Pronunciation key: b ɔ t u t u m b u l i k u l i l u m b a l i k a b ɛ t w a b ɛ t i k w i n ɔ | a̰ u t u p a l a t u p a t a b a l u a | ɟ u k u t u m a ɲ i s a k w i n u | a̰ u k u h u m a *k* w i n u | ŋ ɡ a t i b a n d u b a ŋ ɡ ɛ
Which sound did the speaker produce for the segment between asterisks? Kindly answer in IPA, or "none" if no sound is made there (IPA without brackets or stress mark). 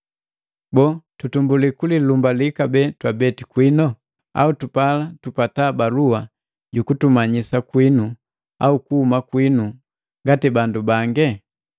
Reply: k